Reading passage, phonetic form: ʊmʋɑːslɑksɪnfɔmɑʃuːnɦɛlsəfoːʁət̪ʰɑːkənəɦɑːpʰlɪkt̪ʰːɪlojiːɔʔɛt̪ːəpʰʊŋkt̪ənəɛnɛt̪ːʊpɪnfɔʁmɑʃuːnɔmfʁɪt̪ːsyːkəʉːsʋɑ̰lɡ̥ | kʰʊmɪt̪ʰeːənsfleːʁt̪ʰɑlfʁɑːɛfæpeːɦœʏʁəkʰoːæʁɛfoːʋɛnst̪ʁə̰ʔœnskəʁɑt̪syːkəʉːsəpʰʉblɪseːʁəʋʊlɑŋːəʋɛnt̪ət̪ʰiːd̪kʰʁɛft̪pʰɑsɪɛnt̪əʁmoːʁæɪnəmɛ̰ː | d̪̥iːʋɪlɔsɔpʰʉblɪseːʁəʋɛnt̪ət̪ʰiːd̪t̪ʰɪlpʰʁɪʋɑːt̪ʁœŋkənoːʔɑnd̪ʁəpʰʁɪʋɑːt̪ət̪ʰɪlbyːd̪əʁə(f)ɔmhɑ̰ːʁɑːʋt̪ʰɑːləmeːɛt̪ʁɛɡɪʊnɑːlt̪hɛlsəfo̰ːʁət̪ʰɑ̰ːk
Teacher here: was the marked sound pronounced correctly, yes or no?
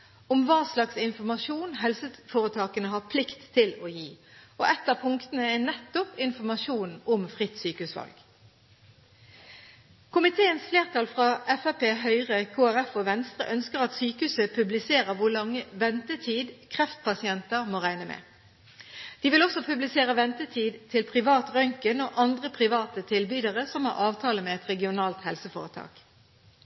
no